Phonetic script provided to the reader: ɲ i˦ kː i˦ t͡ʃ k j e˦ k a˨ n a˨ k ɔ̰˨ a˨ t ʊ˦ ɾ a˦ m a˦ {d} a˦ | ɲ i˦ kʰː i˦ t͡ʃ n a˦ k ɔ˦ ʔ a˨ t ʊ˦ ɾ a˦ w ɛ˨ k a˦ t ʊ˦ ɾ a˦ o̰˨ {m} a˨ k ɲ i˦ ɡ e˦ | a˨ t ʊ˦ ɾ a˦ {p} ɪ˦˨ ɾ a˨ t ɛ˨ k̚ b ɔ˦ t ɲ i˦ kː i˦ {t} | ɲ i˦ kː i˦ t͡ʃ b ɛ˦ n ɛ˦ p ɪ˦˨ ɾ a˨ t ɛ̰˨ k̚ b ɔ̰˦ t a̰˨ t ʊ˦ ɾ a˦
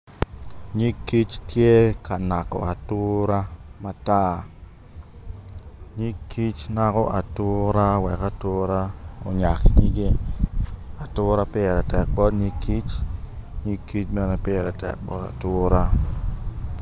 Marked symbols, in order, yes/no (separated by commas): no, no, yes, no